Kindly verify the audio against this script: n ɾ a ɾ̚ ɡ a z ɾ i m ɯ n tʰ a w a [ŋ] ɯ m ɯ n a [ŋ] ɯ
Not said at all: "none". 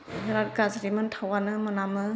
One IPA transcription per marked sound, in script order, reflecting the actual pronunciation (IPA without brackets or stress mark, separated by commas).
n, m